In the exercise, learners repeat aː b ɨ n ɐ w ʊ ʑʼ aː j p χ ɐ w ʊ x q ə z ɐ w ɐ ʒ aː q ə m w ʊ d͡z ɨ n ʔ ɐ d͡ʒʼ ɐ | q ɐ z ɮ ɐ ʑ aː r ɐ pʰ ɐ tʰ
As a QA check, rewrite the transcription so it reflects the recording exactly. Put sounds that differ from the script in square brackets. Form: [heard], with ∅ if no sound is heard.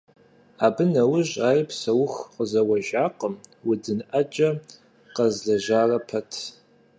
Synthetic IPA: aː b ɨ n ɐ w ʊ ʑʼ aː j p [s] ɐ w ʊ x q ə z ɐ w ɐ ʒ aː q ə m w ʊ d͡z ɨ n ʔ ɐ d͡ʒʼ ɐ | q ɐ z ɮ ɐ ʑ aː r ɐ pʰ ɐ tʰ

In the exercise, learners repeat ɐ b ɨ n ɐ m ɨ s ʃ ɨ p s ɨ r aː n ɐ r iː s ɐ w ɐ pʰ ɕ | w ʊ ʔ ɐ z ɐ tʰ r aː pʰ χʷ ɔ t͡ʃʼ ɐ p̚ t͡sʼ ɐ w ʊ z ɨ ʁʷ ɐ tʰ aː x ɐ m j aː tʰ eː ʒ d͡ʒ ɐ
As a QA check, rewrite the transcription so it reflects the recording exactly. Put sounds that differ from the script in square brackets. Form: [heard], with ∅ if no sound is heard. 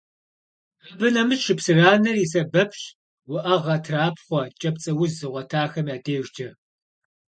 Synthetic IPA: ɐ b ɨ n ɐ m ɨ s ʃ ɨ p s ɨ r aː n ɐ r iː s ɐ [b] ɐ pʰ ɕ | w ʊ ʔ ɐ [ʁ] ɐ tʰ r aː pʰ χʷ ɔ t͡ʃʼ ɐ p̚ t͡sʼ ɐ w ʊ z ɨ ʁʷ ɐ tʰ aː x ɐ m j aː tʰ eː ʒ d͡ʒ ɐ

